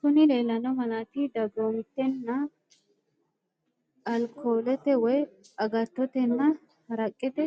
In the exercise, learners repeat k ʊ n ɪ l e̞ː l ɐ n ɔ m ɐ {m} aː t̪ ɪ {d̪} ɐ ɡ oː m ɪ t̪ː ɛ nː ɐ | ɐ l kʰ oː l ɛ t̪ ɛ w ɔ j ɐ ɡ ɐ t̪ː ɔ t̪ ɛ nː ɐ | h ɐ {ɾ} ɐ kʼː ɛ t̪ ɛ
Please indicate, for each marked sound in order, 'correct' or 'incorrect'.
incorrect: n, correct, correct

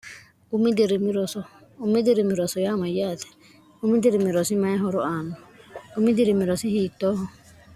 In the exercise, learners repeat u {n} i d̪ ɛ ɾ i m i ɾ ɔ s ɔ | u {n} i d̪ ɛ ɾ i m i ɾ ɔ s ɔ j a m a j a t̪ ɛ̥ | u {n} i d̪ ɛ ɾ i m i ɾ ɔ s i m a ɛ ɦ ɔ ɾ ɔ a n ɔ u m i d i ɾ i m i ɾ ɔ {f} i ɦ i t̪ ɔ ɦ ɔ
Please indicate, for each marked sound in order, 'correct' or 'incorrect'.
incorrect: m, incorrect: m, incorrect: m, incorrect: s

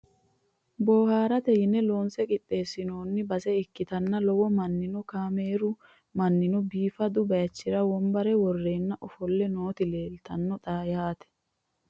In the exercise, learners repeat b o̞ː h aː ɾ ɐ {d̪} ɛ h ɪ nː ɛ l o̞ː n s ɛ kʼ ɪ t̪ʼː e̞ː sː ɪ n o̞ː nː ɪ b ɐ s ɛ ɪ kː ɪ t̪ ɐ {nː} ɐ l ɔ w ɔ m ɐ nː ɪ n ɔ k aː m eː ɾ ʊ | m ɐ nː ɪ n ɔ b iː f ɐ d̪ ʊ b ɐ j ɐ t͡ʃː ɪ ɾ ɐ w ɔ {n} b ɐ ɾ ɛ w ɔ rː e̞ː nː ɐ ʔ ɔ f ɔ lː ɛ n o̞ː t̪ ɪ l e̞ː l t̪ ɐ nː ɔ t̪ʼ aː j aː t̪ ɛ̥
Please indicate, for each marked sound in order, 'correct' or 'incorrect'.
incorrect: t̪, correct, incorrect: m

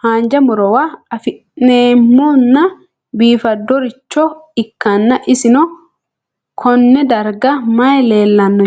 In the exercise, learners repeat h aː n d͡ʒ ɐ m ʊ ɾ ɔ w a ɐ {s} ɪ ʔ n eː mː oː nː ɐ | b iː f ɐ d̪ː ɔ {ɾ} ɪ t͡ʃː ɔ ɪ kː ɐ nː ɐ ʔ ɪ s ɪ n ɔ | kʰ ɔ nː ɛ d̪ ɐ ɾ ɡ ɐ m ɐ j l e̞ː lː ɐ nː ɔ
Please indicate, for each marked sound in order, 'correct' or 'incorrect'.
incorrect: f, correct

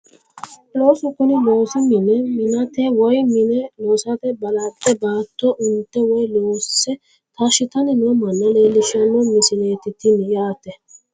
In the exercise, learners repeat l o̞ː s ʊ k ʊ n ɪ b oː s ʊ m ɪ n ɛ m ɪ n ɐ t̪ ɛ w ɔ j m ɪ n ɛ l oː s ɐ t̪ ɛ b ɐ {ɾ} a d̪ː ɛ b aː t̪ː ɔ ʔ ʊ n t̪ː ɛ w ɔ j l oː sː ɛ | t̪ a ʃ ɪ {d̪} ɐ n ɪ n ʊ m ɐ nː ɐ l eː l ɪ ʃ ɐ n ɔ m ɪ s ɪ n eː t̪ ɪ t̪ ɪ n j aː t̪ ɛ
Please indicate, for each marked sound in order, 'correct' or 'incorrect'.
incorrect: l, incorrect: t̪

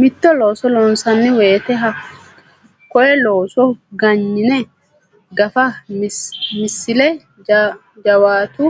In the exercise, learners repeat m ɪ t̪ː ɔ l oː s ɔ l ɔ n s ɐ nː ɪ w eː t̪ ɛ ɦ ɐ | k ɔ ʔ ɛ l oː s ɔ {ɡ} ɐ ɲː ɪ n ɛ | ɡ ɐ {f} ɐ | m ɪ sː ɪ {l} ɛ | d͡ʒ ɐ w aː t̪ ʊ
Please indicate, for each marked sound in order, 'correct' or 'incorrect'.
correct, correct, correct

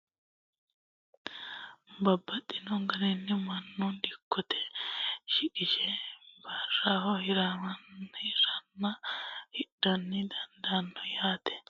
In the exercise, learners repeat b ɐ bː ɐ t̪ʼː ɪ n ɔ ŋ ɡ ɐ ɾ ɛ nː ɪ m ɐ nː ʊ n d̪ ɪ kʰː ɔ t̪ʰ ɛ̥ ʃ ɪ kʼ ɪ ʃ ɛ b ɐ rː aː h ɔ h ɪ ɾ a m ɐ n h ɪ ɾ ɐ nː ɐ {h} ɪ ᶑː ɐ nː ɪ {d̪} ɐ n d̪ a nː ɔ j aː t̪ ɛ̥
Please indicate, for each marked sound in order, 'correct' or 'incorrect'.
correct, correct

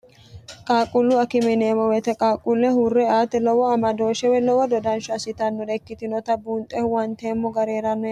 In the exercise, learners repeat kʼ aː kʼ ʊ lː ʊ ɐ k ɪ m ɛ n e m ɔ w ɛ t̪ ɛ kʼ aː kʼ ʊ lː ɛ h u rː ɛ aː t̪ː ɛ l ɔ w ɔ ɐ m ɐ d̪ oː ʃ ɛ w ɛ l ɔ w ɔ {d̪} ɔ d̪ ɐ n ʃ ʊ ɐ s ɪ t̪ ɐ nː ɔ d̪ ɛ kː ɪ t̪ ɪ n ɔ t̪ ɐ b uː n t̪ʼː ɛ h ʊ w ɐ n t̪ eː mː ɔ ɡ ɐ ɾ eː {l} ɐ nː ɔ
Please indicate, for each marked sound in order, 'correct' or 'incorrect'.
correct, incorrect: ɾ

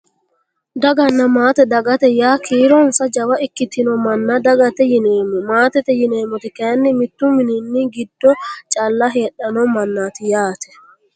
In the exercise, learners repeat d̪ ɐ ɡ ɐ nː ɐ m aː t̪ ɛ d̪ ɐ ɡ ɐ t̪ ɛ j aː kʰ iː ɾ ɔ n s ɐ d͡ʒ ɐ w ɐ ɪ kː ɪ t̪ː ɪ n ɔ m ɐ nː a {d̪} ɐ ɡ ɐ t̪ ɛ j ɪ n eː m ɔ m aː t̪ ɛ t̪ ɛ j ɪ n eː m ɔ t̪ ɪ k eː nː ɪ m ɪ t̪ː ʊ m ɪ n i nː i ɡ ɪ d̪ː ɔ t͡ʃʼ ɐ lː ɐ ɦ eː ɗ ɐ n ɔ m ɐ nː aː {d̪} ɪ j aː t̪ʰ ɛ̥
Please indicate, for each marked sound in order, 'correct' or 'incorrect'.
correct, incorrect: t̪

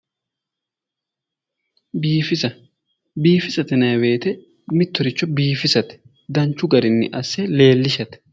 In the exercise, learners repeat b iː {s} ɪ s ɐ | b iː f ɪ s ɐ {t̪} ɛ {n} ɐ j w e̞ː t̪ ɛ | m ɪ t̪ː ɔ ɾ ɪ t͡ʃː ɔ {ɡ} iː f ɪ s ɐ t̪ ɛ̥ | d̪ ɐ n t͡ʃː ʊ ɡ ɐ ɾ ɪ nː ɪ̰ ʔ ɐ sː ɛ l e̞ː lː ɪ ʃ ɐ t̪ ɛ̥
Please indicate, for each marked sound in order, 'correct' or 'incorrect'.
incorrect: f, correct, correct, incorrect: b

